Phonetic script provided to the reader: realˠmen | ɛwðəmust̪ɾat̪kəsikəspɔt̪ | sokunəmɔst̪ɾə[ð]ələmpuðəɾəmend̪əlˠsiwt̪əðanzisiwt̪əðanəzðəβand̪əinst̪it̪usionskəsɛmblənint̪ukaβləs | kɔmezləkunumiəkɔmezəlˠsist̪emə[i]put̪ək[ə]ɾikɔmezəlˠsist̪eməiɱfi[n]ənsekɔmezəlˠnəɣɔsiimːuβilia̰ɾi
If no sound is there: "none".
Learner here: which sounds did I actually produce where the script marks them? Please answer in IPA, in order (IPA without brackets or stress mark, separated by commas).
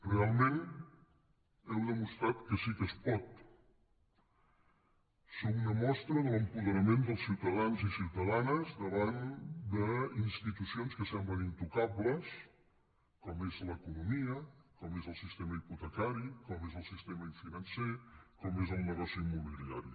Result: ð, i, a, n